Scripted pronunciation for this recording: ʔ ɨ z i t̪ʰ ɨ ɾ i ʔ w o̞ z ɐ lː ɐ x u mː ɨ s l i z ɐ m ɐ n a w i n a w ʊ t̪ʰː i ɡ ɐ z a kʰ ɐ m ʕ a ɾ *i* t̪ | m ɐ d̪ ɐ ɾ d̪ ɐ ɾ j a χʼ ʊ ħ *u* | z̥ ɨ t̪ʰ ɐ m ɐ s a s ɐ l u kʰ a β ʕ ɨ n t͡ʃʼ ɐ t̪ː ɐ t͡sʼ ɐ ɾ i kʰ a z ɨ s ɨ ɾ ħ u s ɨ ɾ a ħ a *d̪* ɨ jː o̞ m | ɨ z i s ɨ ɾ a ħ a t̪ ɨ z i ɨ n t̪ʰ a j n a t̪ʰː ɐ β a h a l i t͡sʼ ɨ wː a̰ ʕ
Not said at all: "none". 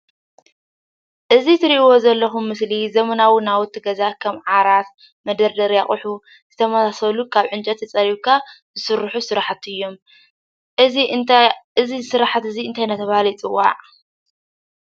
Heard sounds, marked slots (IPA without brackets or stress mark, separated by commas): a, u, t̪